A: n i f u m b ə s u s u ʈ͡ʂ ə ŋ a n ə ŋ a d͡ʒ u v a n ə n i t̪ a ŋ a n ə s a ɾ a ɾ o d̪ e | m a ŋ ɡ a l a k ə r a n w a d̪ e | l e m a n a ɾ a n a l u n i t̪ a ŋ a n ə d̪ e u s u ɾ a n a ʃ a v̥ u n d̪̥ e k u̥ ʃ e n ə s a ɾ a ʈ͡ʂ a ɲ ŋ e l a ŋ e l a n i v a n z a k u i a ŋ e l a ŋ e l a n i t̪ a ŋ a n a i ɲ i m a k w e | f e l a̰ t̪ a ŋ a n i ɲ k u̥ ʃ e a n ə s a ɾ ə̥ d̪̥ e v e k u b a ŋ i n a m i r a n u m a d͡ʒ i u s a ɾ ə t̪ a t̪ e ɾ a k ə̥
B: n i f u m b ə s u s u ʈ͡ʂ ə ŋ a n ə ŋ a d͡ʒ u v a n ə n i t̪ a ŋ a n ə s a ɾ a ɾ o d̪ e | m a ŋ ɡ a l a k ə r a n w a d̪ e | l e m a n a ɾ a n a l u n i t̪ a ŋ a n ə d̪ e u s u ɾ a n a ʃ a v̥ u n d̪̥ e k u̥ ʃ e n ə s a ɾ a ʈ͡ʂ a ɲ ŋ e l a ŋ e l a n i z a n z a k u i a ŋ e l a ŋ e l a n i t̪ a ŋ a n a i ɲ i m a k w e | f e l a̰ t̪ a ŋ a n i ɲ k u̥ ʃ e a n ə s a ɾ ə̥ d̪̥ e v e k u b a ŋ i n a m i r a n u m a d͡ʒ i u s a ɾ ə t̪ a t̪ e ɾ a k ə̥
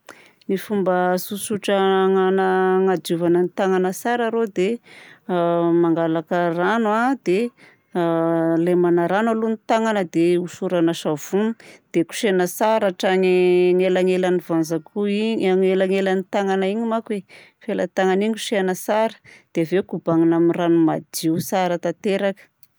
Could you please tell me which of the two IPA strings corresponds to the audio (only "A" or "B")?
A